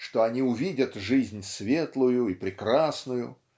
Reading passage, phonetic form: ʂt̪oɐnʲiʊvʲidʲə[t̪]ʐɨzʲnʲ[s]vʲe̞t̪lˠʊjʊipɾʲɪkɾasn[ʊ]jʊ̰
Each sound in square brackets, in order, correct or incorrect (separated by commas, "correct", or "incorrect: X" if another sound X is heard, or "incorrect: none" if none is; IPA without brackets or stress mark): correct, correct, correct